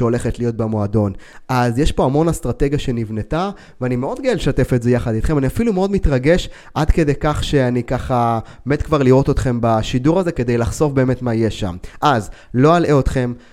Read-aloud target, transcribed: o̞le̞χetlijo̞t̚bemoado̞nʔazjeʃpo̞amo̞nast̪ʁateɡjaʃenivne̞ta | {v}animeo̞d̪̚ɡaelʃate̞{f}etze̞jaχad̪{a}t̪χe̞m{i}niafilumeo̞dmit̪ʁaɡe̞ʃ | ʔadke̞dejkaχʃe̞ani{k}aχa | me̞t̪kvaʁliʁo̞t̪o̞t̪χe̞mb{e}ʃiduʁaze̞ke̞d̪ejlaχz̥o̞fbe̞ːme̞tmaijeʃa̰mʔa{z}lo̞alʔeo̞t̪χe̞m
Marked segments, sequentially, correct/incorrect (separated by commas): correct, correct, incorrect, incorrect, correct, incorrect, correct